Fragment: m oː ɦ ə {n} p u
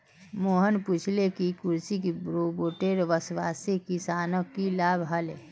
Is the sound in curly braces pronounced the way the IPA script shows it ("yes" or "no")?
yes